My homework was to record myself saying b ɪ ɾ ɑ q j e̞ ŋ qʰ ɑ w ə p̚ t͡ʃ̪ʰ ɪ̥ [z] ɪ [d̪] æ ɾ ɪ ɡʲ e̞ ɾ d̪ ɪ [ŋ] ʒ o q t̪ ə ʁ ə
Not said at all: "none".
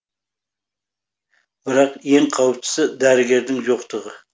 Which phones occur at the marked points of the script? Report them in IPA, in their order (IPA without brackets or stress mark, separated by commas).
s, d̪, ŋ